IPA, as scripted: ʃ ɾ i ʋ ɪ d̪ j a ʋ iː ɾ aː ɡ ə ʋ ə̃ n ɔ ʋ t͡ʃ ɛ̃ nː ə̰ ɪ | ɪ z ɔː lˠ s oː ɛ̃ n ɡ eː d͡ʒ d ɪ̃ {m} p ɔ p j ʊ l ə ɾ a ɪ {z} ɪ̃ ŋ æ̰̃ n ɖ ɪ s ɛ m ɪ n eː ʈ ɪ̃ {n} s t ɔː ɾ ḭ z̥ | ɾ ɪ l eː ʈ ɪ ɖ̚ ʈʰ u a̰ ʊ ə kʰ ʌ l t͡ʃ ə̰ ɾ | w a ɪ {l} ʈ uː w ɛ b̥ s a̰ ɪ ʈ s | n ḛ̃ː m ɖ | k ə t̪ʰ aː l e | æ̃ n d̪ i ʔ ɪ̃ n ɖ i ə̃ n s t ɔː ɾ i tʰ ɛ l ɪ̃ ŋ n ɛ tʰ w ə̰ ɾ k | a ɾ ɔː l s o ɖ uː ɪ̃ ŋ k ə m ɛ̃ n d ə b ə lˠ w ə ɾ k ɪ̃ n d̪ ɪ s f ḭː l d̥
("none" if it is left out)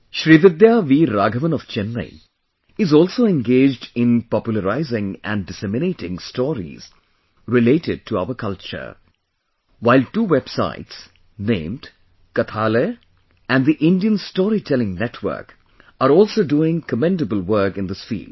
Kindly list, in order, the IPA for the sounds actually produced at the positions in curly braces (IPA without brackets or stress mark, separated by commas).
n, z, ŋ, l